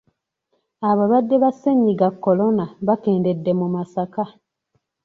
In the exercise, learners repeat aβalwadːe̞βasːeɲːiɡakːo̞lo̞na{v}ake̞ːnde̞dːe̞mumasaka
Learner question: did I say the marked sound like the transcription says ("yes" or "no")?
no